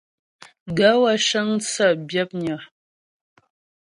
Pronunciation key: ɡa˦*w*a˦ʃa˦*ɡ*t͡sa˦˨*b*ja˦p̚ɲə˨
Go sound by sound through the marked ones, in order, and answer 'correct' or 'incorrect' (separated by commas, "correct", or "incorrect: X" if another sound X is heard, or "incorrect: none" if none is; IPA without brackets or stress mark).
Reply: correct, incorrect: ŋ, correct